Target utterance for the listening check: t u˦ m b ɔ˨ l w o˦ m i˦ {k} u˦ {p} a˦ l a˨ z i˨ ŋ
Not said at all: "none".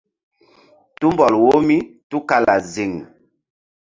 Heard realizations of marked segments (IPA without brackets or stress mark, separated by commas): t, k